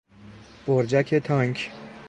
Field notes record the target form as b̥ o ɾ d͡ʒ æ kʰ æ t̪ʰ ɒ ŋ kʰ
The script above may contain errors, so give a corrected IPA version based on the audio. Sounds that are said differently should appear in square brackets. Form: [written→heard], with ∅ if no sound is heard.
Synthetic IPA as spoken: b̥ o ɾ d͡ʒ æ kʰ [æ→e] t̪ʰ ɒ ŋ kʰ